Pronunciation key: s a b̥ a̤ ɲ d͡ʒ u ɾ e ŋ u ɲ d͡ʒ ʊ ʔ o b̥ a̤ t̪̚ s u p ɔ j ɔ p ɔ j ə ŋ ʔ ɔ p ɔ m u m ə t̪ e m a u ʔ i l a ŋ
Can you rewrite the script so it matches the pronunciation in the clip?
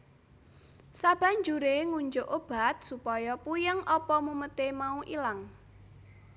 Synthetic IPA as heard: s a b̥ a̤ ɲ d͡ʒ u ɾ e ŋ u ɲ d͡ʒ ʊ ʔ o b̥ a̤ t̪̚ s u p ɔ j ɔ p u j ə ŋ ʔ ɔ p ɔ m u m ə t̪ e m a u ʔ i l a ŋ

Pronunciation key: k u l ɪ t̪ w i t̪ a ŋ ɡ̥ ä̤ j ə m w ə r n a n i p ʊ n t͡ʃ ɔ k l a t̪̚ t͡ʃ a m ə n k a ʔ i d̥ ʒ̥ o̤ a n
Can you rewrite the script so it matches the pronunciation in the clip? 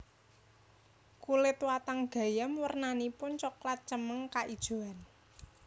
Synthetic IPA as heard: k u l ɪ t̪ w a t̪ a ŋ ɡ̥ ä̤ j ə m w ə r n a n i p ʊ n t͡ʃ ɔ k l a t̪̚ t͡ʃ ə m ə ŋ k a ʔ i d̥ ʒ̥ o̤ a n

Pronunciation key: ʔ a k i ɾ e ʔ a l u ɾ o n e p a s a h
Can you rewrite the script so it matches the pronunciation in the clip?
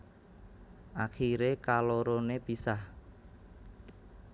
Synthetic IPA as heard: ʔ a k i ɾ e k a l o ɾ o n e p i s a h

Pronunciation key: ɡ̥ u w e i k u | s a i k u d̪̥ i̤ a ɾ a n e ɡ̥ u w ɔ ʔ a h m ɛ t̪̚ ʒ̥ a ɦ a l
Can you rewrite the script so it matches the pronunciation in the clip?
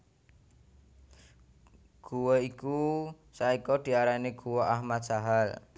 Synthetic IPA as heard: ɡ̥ u w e i k u | s a i k ɔ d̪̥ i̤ a ɾ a n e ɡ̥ u w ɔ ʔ a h m a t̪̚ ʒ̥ a ɦ a l

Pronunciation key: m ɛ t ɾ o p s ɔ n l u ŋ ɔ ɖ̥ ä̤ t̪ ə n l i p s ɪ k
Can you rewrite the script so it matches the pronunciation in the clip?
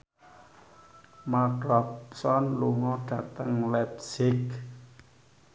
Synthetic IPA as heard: m a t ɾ ɔ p s ɔ n l u ŋ ɔ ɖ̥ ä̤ t̪ ə ŋ l ɛ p s ɪ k

